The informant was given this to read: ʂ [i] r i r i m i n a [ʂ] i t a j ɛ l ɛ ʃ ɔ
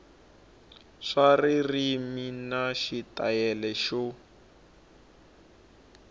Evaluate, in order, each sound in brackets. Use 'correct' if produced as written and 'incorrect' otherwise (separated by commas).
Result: incorrect, incorrect